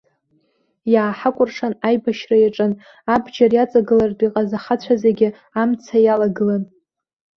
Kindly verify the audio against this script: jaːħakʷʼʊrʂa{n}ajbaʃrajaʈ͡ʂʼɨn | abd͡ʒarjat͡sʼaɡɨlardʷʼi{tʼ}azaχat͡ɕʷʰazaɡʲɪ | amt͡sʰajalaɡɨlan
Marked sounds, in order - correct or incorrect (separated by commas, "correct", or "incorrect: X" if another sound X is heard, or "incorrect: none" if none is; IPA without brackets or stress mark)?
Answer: correct, incorrect: qʼ